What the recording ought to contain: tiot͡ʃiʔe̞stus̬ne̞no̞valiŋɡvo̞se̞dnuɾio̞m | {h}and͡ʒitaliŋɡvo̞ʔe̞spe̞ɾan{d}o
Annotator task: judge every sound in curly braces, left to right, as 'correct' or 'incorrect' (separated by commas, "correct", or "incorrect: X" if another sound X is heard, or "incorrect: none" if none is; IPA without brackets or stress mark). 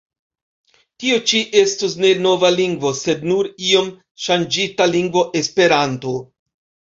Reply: incorrect: ʃ, incorrect: t